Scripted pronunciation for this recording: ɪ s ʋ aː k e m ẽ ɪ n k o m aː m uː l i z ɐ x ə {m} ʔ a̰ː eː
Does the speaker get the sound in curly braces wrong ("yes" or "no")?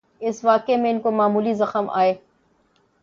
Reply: no